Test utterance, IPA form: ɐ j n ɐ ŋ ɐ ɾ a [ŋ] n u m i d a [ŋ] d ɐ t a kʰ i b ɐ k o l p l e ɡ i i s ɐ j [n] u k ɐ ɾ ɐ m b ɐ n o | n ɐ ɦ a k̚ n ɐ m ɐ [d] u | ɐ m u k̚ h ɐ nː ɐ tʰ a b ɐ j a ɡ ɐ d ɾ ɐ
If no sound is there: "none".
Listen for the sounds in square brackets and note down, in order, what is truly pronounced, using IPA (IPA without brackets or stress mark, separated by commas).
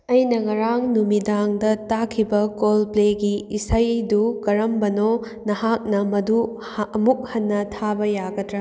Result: ŋ, ŋ, d, d